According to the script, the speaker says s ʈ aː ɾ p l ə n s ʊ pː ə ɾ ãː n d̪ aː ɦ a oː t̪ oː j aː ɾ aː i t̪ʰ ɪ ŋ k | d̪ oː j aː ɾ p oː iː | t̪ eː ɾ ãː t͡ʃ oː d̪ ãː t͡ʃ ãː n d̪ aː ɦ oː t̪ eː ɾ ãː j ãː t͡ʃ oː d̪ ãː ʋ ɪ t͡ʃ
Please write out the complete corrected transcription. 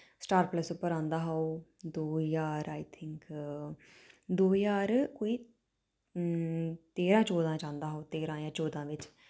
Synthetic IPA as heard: s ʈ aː ɾ p l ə s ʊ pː ə ɾ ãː n d̪ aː ɦ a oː d̪ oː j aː ɾ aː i t̪ʰ ɪ ŋ k | d̪ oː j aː ɾ k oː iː | t̪ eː ɾ ãː t͡ʃ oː d̪ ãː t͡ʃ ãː n d̪ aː ɦ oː t̪ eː ɾ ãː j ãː t͡ʃ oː d̪ ãː ʋ ɪ t͡ʃ

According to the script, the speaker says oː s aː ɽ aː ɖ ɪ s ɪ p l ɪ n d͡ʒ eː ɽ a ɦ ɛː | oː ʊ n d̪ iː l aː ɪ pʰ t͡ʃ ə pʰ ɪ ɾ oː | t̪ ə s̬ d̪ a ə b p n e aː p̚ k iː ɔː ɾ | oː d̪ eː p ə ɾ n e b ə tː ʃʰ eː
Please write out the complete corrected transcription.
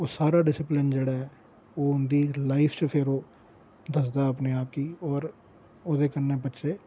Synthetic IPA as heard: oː s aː ɾ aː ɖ ɪ s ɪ p l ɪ n d͡ʒ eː ɽ a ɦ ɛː | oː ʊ n d̪ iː l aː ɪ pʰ t͡ʃ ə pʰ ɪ ɾ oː | d̪ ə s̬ d̪ a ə p n e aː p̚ k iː ɔː ɾ | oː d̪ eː k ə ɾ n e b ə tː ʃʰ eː

